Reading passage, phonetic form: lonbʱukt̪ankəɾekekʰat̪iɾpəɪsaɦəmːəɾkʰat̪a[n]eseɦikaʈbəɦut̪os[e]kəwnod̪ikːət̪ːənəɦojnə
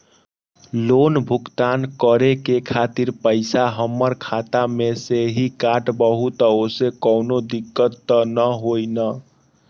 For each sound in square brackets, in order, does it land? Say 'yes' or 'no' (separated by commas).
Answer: no, yes